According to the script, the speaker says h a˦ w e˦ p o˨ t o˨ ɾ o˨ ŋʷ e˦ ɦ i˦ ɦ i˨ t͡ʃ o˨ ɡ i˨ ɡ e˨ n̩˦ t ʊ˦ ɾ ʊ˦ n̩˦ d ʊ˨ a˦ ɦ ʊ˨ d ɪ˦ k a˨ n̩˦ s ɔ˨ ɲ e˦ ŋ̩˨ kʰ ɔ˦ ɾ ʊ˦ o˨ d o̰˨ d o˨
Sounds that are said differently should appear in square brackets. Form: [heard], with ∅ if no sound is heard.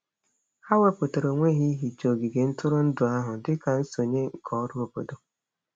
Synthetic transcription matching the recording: h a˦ w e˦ p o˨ t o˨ ɾ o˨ ŋʷ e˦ ɦ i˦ ɦ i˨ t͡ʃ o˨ ɡ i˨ ɡ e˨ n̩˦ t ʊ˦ ɾ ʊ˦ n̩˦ d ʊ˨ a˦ ɦ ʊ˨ d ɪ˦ k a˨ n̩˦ s [o˨] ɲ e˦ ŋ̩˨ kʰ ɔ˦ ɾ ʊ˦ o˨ [b] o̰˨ d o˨